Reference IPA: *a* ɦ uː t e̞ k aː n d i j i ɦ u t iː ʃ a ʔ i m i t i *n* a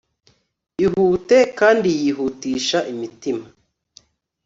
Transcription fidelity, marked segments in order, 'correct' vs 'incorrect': incorrect: i, incorrect: m

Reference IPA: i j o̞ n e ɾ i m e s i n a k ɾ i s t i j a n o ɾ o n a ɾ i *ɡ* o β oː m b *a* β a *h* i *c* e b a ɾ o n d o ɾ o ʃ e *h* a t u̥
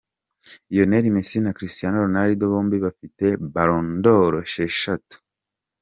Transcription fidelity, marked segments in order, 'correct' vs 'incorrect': incorrect: d, incorrect: i, incorrect: f, incorrect: t, incorrect: ʃ

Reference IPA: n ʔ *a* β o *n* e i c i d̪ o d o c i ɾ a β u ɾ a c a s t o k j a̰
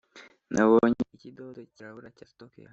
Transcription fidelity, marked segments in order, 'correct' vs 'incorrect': correct, incorrect: ɲ

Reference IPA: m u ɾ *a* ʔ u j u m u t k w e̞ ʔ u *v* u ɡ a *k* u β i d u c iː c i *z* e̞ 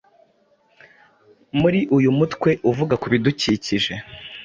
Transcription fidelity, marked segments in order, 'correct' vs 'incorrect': incorrect: i, correct, correct, incorrect: ʒ

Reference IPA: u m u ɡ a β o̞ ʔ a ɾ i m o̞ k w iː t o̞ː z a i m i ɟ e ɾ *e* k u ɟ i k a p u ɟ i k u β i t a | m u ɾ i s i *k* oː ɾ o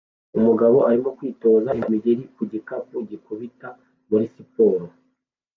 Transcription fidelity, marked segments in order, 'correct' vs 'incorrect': incorrect: i, incorrect: p

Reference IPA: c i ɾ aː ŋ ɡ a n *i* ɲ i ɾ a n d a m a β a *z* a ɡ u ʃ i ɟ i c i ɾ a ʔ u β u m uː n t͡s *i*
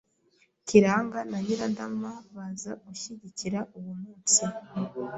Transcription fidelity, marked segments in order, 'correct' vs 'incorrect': incorrect: a, correct, correct

